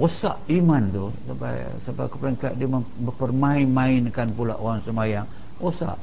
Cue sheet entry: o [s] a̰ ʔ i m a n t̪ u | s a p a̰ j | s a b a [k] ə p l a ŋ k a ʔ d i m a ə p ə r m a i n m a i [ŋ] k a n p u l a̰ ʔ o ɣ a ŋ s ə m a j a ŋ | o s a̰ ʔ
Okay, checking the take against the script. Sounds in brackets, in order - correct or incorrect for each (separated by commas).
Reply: correct, correct, incorrect